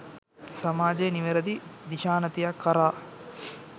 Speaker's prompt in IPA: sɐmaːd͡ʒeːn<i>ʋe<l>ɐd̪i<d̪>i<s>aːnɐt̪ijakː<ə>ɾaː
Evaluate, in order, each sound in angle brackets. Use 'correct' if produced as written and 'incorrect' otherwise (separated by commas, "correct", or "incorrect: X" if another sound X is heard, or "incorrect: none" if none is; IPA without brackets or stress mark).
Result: correct, incorrect: ɾ, correct, incorrect: ʃ, incorrect: ɐ